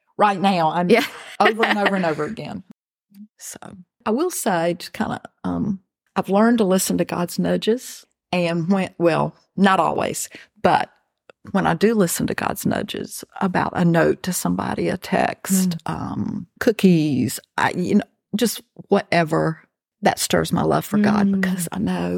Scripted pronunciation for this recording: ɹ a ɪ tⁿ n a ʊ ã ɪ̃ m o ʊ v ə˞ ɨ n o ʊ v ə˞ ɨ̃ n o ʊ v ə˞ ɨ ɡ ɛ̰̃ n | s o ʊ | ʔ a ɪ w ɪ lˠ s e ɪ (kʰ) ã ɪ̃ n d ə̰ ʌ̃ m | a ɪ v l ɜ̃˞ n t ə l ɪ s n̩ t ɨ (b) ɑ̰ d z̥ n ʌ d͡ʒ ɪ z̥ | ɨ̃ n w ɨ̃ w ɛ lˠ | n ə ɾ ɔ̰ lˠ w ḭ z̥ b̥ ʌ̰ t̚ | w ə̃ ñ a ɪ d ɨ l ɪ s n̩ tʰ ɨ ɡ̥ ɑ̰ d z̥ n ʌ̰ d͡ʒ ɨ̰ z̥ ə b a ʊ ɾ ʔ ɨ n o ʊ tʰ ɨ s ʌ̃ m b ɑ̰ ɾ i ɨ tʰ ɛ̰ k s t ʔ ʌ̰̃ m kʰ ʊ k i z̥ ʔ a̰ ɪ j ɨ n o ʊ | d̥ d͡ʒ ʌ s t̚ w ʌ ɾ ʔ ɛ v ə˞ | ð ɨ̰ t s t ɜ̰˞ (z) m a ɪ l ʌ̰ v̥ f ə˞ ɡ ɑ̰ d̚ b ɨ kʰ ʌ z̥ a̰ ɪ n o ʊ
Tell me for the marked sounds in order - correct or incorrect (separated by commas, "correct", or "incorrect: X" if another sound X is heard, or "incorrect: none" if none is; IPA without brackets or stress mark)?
correct, incorrect: ɡ, correct